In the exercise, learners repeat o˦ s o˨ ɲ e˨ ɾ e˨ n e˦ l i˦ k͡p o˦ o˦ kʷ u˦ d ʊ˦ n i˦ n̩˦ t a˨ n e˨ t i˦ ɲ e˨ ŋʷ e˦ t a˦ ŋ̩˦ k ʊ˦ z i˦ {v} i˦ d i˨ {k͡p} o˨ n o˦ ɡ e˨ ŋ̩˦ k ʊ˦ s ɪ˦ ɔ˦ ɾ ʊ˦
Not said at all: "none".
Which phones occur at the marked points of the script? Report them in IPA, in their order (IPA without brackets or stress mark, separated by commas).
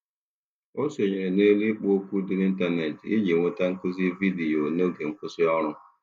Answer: v, none